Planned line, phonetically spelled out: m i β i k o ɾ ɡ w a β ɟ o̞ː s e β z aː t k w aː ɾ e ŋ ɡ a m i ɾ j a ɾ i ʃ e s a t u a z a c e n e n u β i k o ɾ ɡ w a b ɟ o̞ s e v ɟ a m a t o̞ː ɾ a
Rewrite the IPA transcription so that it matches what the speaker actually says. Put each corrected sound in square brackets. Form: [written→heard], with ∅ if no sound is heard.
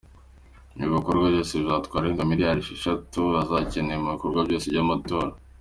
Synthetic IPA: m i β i k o ɾ ɡ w a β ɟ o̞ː s e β z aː t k w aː ɾ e ŋ ɡ a m i ɾ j a ɾ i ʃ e [s→ʃ] a t u a z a c e n e [n→m] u β i k o ɾ ɡ w a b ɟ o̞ s e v ɟ a m a t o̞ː ɾ a